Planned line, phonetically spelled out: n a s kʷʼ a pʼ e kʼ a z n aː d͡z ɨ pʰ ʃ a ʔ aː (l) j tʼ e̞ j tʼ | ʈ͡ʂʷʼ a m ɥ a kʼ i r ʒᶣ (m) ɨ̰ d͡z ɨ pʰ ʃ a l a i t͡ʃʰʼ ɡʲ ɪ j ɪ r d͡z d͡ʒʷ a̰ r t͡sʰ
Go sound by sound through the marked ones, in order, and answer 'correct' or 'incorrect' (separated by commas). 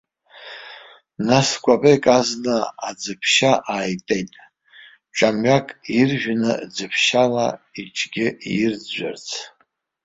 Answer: incorrect, incorrect